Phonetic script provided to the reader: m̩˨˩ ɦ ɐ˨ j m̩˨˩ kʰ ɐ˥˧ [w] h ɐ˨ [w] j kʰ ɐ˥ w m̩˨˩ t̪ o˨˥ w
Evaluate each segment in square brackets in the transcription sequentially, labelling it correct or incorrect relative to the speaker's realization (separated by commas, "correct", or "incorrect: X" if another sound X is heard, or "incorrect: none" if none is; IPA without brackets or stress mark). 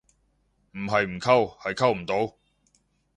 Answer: correct, incorrect: none